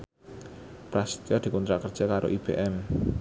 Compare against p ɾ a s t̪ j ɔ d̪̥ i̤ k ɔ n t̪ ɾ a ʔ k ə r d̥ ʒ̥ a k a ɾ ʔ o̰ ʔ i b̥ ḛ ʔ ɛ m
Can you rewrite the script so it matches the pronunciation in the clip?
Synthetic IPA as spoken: p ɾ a s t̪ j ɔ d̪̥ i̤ k ɔ n t̪ ɾ a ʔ k ə r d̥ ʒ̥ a k a ɾ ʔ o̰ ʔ i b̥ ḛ ʔ ɛ m